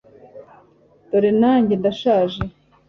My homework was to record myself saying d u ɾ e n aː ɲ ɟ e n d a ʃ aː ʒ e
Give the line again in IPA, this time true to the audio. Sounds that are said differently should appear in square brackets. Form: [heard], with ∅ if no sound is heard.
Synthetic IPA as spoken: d [o] ɾ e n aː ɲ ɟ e n d a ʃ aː ʒ e